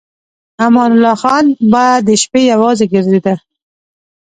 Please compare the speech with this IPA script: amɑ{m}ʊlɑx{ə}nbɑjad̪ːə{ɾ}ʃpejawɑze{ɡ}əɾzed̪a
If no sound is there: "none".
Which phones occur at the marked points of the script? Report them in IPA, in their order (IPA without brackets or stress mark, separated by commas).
n, ɑ, none, ɡ